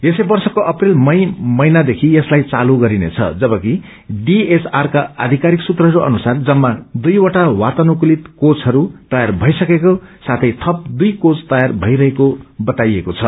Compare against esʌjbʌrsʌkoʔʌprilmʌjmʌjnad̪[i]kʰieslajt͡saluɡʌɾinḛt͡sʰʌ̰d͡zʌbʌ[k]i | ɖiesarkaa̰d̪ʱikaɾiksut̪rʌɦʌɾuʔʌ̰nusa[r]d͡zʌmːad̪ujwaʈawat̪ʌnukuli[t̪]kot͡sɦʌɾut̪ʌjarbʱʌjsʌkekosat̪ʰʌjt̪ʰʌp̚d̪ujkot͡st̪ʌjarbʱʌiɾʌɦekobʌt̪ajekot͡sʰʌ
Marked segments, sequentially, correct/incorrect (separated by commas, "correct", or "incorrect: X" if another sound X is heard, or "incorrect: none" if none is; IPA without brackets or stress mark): incorrect: e, correct, correct, correct